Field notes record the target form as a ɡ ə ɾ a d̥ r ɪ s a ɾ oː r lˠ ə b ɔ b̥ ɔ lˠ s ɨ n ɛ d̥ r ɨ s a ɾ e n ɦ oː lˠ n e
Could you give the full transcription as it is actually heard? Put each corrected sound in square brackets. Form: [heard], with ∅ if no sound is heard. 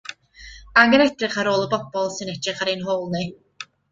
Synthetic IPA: a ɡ ə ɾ [ɛ] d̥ r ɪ [χ] a ɾ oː [∅] lˠ ə b ɔ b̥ ɔ lˠ s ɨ n ɛ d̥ r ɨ [χ] a ɾ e n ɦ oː lˠ n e